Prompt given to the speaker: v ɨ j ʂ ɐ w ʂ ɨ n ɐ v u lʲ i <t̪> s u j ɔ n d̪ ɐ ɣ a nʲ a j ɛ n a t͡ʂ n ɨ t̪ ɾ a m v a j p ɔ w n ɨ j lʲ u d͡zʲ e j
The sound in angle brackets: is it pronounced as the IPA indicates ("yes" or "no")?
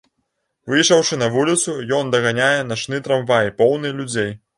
yes